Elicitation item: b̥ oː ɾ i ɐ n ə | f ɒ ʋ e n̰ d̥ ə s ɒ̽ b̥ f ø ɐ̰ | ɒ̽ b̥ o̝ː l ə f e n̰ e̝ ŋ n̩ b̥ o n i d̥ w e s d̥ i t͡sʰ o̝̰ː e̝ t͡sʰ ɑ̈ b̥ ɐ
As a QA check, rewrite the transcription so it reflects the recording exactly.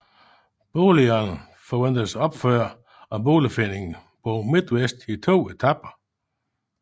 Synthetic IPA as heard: b̥ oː l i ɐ n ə | f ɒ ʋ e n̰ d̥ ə s ɒ̽ b̥ f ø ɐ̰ | ɒ̽ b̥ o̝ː l ə f e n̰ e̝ ŋ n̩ b̥ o m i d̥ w e s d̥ i t͡sʰ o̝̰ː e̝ t͡sʰ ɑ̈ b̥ ɐ

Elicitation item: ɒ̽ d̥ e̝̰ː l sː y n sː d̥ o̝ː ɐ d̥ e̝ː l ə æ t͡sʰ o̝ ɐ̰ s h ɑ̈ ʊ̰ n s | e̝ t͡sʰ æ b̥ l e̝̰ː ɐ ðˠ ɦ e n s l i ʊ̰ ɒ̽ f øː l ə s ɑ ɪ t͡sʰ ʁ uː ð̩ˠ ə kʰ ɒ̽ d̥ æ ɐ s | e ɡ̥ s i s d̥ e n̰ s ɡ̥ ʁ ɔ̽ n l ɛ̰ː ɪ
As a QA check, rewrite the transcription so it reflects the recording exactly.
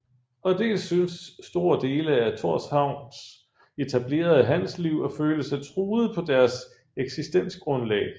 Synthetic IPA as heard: ɒ̽ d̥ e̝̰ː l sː y n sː d̥ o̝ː ɐ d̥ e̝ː l ə æ t͡sʰ o̝ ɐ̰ s h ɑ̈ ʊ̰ n s | e̝ t͡sʰ æ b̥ l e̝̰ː ɐ ðˠ ɦ æ n s l i ʊ̰ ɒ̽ f øː l ə s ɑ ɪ t͡sʰ ʁ uː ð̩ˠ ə pʰ ɒ̽ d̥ æ ɐ s | e ɡ̥ s i s d̥ e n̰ s ɡ̥ ʁ ɔ̽ n l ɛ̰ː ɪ

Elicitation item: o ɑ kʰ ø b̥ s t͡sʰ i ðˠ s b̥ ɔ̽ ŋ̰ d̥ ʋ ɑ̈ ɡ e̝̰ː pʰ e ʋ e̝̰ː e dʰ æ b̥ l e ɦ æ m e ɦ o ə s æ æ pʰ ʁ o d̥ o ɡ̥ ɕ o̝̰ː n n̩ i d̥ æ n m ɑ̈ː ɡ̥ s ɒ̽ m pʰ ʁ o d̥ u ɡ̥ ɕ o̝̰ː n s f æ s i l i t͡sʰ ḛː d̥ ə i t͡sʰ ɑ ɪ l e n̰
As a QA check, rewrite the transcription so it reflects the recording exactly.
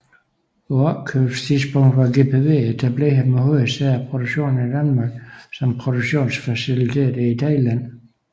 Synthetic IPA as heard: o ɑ kʰ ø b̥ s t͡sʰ i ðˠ s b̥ ɔ̽ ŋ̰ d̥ ʋ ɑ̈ ɡ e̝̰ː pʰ e ʋ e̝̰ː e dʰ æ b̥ l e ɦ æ m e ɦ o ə s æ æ pʰ ʁ o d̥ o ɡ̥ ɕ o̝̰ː n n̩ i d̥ æ n m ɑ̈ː ɡ̥ s ɒ̽ m pʰ ʁ o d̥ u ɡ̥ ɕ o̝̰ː n s f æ s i l i t͡sʰ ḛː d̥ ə i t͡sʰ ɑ ɪ l æ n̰

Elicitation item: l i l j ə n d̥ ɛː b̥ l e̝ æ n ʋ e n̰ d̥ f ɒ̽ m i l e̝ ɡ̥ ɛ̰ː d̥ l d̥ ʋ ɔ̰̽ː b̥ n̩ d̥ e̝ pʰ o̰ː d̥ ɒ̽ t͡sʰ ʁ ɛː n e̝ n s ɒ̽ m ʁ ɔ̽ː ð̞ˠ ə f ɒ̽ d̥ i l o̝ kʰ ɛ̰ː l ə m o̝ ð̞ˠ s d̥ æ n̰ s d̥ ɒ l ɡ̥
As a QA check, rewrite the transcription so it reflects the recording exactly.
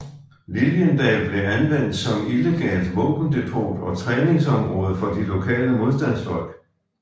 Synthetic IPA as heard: l i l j ə n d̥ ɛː b̥ l e̝ æ n ʋ e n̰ d̥ s ɒ̽ m i l e̝ ɡ̥ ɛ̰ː l d̥ ʋ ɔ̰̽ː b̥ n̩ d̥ e̝ pʰ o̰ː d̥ ɒ̽ t͡sʰ ʁ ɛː n e̝ ŋ s ɒ̽ m ʁ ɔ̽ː ð̞ˠ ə f ɒ̽ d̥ i l o̝ kʰ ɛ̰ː l ə m o̝ ð̞ˠ s d̥ æ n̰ s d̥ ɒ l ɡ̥

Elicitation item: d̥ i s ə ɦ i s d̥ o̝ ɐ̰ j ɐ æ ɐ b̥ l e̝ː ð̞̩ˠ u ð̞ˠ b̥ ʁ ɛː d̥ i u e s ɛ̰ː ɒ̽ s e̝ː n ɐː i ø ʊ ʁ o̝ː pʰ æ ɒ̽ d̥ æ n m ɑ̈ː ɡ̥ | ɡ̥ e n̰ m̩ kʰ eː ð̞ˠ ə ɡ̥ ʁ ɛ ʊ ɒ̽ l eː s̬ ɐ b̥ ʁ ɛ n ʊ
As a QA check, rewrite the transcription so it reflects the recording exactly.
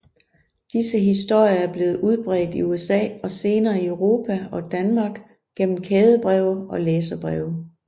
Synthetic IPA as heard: d̥ i s ə ɦ i s d̥ o̝ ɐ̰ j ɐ æ ɐ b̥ l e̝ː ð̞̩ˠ u ð̞ˠ b̥ ʁ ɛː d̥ i u e s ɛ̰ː ɒ̽ s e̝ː n ɐː i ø ʊ ʁ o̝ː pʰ æ ɒ̽ d̥ æ n m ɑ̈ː ɡ̥ | ɡ̥ e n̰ m̩ kʰ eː ð̞ˠ ə b̥ ʁ ɛ ʊ ɒ̽ l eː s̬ ɐ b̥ ʁ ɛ ʊ

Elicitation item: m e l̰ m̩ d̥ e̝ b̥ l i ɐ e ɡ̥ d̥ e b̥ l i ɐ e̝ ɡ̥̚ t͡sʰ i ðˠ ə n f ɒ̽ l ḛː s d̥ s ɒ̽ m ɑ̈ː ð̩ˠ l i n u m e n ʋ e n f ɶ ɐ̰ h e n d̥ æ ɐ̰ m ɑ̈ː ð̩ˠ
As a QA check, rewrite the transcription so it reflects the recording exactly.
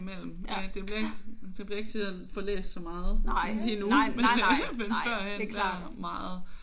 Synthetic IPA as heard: m e l̰ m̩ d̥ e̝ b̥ l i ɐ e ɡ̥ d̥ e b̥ l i ɐ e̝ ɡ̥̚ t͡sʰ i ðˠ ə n f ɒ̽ l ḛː s d̥ s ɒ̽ m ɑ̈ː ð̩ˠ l i n u m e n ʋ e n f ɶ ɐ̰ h e n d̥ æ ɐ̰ m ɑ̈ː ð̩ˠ

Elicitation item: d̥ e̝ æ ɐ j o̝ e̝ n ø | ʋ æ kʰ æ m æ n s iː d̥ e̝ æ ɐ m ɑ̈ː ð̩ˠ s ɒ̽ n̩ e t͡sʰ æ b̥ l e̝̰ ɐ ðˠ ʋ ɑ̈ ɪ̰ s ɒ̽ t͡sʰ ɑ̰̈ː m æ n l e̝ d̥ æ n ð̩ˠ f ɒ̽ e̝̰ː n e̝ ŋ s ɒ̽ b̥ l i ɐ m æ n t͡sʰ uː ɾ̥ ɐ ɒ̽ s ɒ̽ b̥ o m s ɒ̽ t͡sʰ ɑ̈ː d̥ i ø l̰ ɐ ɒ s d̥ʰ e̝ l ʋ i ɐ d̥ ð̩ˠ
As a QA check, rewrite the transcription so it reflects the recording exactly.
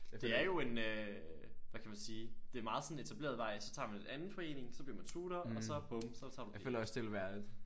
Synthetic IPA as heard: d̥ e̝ æ ɐ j o̝ e̝ n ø | ʋ æ kʰ æ m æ n s iː d̥ e̝ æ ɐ m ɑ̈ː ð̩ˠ s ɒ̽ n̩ e t͡sʰ æ b̥ l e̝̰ ɐ ðˠ ʋ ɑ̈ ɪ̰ s ɒ̽ t͡sʰ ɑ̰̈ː m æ n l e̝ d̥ æ n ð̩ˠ f ɒ̽ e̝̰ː n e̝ ŋ s ɒ̽ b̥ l i ɐ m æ n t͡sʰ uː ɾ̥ ɐ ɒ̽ s ɒ̽ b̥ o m s ɒ̽ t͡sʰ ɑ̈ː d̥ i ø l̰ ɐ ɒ s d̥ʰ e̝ l ʋ æ ɐ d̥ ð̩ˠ

